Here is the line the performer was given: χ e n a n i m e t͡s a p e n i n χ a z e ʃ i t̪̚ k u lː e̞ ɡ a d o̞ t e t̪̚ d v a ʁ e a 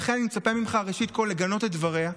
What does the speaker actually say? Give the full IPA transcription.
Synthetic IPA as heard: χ e n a n i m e t͡s a p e m i m χ a ʁ e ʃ i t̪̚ k o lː e̞ ɡ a n o̞ t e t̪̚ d v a ʁ e a